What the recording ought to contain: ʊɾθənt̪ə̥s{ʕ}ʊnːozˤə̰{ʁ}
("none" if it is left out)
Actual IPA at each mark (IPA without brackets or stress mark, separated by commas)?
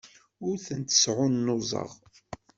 ʕ, ʁ